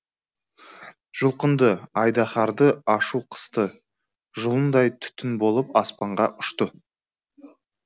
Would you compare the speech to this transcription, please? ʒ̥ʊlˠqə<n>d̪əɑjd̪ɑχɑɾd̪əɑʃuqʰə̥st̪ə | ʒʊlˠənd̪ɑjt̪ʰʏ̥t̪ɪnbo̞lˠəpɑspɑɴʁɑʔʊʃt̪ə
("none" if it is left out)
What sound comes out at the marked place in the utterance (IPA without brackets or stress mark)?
n